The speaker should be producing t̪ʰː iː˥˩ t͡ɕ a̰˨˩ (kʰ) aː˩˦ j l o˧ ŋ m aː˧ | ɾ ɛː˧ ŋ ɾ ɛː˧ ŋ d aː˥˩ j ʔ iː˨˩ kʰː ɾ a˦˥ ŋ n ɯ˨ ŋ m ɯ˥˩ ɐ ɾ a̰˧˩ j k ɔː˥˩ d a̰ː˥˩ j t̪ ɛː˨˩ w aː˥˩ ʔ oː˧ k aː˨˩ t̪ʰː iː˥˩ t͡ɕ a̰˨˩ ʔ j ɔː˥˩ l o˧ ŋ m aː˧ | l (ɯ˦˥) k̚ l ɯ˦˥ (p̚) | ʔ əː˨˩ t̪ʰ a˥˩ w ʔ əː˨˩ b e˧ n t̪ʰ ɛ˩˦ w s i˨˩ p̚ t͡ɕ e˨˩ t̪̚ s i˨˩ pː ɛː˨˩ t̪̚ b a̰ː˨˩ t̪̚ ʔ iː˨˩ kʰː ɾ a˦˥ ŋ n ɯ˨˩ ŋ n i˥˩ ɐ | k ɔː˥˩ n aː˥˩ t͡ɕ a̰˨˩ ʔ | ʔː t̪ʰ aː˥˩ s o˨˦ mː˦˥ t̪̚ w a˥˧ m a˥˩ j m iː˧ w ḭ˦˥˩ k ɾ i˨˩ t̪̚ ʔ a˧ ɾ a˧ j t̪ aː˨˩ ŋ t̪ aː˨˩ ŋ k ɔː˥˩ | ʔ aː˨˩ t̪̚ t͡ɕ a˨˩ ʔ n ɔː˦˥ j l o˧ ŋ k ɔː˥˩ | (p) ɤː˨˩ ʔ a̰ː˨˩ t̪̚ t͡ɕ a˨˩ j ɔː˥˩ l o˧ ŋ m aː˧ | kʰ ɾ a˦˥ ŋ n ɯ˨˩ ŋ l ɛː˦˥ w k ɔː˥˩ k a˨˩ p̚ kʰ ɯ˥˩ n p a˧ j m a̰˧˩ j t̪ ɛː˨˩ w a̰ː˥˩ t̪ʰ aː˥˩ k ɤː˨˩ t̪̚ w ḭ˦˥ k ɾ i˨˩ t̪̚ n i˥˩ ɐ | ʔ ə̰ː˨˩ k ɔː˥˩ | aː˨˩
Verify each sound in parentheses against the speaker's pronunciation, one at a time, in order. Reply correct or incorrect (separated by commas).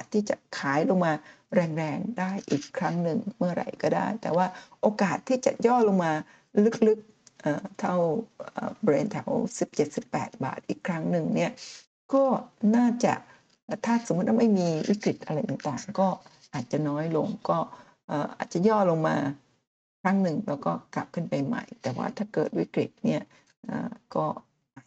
correct, correct, incorrect, incorrect